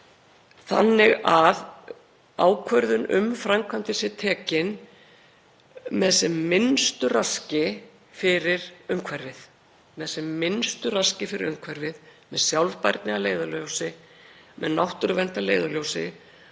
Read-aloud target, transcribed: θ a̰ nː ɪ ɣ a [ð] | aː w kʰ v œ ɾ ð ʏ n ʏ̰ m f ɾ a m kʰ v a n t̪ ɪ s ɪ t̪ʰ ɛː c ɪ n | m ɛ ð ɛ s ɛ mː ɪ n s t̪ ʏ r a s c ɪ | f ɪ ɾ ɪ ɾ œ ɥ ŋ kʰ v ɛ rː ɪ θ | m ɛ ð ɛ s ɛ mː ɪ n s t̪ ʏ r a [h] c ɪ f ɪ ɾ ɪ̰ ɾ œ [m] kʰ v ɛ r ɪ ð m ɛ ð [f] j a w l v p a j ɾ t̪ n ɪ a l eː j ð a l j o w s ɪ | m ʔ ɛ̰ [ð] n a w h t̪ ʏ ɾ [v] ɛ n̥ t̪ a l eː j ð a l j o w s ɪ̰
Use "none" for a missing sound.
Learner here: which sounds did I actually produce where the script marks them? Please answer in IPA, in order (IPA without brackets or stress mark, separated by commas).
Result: ð, s, ŋ, s, ð, v